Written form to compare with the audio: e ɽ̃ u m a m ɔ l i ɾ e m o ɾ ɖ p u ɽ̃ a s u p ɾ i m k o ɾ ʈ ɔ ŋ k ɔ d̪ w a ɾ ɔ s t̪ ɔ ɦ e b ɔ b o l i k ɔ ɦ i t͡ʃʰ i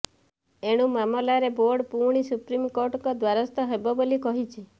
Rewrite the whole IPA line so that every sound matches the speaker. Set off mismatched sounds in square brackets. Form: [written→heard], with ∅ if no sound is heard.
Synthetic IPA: e ɽ̃ u m a m ɔ l [i→a] ɾ e [m→b] o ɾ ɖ p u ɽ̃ [a→i] s u p ɾ i m k o ɾ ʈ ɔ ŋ k ɔ d̪ w a ɾ ɔ s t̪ ɔ ɦ e b ɔ b o l i k ɔ ɦ i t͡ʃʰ i